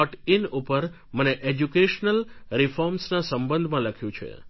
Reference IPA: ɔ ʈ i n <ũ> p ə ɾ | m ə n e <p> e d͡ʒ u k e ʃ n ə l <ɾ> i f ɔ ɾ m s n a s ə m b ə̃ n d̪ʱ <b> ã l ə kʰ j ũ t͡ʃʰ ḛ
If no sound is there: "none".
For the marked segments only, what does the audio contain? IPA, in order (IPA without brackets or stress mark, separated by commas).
u, ʔ, ɾ, m